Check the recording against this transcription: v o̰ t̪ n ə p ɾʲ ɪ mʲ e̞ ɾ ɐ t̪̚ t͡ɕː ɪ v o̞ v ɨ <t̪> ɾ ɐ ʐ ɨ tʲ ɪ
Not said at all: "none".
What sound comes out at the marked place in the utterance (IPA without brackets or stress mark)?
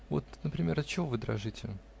d̪